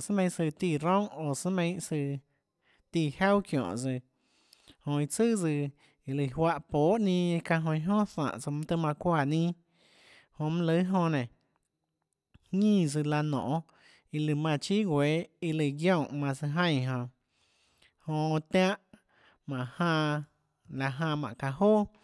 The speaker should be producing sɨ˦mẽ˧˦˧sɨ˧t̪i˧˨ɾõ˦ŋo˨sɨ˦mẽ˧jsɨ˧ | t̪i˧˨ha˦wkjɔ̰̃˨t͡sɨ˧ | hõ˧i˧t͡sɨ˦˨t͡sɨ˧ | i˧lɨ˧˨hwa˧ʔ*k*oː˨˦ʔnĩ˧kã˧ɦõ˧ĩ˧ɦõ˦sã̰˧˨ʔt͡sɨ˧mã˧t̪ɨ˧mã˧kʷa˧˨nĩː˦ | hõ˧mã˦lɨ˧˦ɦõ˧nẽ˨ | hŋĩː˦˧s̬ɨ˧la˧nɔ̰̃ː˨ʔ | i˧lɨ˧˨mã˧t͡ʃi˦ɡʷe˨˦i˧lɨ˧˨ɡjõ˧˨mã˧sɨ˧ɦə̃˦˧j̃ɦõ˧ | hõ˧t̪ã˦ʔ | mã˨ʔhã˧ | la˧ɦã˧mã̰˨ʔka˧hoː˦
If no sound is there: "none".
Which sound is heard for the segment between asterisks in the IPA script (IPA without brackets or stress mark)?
p